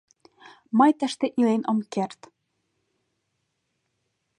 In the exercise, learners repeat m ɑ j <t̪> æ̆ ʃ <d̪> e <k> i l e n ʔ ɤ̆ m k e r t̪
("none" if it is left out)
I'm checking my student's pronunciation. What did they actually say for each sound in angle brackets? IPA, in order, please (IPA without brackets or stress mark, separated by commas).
t̪, t̪, ʔ